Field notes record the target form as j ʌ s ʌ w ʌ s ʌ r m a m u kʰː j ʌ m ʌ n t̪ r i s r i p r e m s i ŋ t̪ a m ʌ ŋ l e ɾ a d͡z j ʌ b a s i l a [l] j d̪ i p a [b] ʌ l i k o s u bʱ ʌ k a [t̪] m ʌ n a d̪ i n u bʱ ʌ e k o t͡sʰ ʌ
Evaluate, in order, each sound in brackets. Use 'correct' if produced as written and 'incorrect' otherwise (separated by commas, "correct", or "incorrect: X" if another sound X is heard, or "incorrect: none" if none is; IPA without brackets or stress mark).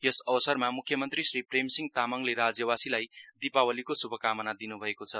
incorrect: none, incorrect: w, incorrect: none